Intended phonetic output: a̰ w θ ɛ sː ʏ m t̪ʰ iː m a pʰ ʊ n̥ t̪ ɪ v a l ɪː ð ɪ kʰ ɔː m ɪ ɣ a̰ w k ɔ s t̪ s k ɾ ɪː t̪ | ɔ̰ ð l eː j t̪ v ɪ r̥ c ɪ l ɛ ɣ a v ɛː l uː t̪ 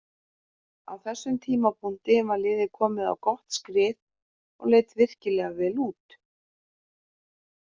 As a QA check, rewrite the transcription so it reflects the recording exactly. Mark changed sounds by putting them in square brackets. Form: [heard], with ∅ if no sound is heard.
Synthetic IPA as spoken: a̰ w θ ɛ sː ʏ m t̪ʰ iː m a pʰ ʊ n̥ t̪ ɪ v a l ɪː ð ɪ kʰ ɔː m ɪ [ð] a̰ w k ɔ [h] t̪ s k ɾ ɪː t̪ | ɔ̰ [ɣ] l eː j t̪ v ɪ r̥ c ɪ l ɛ ɣ a v ɛː l uː t̪